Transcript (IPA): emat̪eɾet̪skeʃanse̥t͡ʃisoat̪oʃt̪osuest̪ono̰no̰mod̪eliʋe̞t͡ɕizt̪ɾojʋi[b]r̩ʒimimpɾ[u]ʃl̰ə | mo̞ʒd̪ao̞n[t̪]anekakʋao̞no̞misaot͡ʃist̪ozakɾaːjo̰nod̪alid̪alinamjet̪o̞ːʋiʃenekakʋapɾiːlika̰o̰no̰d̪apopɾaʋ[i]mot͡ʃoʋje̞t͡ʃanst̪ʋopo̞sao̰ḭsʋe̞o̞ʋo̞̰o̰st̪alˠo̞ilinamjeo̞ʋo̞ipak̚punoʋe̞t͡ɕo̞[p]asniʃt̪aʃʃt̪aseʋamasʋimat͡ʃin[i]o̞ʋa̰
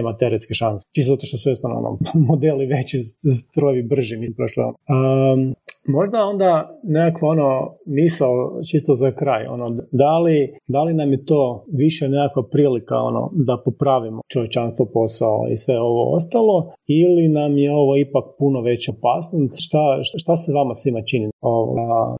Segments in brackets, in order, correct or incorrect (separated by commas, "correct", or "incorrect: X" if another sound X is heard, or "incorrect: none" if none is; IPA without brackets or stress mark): correct, incorrect: o, incorrect: d̪, correct, correct, correct